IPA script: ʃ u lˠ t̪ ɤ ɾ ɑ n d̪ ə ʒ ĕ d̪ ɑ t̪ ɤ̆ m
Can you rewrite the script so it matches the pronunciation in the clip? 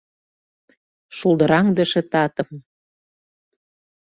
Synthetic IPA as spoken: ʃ u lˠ d̪ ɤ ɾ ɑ ŋ d̪ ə ʃ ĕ t̪ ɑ t̪ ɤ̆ m